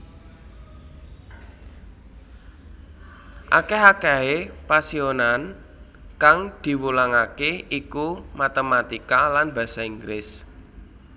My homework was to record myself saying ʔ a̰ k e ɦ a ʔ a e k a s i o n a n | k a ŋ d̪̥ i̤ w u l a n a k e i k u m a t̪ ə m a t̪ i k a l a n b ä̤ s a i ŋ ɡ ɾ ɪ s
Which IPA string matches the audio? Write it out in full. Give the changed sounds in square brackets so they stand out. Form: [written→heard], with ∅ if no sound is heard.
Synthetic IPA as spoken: ʔ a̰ k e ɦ a [ʔ→k] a e [k→p] a s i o n a n | k a ŋ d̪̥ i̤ w u l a [n→ŋ] a k e i k u m a t̪ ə m a t̪ i k a l a n b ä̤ s a i ŋ ɡ ɾ ɪ s